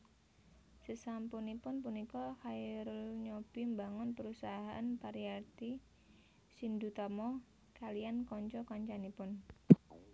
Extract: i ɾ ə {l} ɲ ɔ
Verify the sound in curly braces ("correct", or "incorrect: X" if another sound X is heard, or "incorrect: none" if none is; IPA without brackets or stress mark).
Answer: correct